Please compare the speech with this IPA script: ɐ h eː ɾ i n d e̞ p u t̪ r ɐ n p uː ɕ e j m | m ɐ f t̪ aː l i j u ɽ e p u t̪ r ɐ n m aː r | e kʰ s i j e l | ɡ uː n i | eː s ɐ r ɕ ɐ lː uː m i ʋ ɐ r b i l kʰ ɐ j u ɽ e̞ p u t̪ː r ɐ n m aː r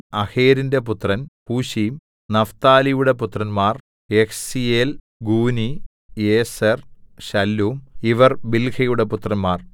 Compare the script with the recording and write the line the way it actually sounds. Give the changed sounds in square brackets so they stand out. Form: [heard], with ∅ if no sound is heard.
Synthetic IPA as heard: ɐ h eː ɾ i n d e̞ p u t̪ r ɐ n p uː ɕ [i] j m | [n] ɐ f t̪ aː l i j u ɽ e p u t̪ r ɐ n m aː r | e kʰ s i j e l | ɡ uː n i | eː s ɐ r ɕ ɐ lː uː m i ʋ ɐ r b i l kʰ ɐ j u ɽ e̞ p u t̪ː r ɐ n m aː r